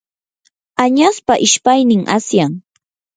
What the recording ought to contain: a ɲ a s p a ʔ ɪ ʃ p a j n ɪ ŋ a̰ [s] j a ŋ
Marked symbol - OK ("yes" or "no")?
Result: yes